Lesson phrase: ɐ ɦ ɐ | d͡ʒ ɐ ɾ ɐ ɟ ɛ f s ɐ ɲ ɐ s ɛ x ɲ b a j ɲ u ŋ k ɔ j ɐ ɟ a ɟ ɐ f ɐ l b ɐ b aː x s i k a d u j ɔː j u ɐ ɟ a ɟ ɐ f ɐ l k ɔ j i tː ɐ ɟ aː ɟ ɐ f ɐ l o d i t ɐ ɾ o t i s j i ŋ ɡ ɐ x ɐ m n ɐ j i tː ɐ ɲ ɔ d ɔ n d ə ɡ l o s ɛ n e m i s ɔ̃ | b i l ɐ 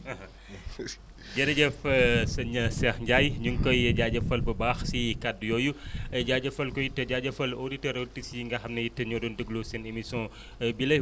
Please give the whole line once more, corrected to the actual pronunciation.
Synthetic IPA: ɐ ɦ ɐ | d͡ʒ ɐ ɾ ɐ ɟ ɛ f s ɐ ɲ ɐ s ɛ x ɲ ɟ a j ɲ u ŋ k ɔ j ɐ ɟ a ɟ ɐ f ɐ l b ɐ b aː x s i k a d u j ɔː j u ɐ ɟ a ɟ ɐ f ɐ l k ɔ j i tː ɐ ɟ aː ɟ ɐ f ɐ l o d i t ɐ ɾ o t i s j i ŋ ɡ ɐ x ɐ m n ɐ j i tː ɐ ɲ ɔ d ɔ n d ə ɡ l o s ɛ n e m i s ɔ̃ | b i l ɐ